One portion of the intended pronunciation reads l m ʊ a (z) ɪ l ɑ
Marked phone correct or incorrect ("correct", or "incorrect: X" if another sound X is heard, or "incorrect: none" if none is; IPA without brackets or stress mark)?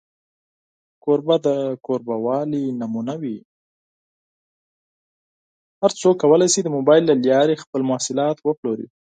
incorrect: s